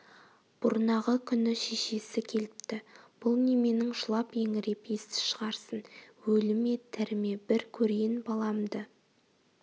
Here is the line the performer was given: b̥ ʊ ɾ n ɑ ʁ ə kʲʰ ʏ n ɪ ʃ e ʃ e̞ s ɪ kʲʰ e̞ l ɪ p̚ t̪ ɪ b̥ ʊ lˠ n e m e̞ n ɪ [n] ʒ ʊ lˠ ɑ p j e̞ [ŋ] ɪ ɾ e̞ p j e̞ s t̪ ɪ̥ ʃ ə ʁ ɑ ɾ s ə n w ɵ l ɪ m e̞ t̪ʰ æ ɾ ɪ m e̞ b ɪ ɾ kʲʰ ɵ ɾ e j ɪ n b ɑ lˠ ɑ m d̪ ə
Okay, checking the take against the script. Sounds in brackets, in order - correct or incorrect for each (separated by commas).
incorrect, correct